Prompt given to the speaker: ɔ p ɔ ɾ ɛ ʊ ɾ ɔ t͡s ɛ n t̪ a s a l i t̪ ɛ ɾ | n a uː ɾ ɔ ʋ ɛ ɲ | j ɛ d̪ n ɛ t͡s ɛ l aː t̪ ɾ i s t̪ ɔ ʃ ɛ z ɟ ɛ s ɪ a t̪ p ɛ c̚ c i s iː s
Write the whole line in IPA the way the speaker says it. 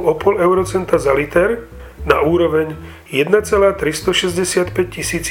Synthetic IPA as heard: ɔ p ɔ l ɛ ʊ ɾ ɔ t͡s ɛ n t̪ a z a l i t̪ ɛ ɾ | n a uː ɾ ɔ ʋ ɛ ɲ | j ɛ d̪ n a t͡s ɛ l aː t̪ ɾ i s t̪ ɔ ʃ ɛ z ɟ ɛ s ɪ a t̪ p ɛ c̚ c i s iː t͡s